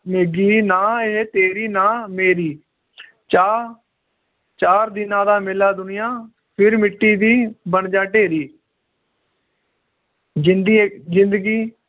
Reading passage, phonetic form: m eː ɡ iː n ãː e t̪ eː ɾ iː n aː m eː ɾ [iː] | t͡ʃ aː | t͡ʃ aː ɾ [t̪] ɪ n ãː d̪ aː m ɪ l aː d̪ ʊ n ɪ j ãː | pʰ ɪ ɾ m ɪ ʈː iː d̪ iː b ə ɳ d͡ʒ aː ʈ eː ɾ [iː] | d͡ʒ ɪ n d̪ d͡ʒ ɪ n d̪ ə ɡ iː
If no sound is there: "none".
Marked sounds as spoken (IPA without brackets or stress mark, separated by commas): iː, d̪, iː